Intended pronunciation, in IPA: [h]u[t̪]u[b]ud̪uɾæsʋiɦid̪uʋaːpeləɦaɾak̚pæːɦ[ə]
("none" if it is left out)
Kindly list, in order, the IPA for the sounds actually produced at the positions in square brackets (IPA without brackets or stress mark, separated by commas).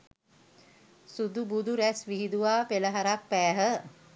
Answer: s, d̪, b, ə